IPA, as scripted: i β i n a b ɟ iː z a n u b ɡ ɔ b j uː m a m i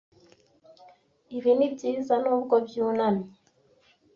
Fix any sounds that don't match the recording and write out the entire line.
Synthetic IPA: i β i n i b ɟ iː z a n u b ɡ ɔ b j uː n a m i